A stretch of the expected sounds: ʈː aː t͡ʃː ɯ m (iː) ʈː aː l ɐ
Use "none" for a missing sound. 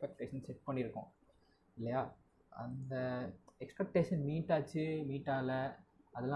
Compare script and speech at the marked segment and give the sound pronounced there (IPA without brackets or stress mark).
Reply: iː